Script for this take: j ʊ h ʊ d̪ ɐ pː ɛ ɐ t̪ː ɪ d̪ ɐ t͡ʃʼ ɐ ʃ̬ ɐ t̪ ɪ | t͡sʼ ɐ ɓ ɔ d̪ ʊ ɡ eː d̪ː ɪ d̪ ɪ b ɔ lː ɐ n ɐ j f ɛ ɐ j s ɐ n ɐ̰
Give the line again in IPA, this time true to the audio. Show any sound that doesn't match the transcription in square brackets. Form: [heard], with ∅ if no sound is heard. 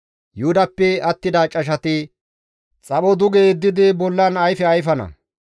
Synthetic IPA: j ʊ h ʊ d̪ ɐ pː ɛ ɐ t̪ː ɪ d̪ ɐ t͡ʃʼ ɐ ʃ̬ ɐ t̪ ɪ | t͡sʼ ɐ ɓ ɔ d̪ ʊ ɡ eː d̪ː ɪ d̪ ɪ b ɔ lː ɐ n ɐ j f ɛ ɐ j [f] ɐ n ɐ̰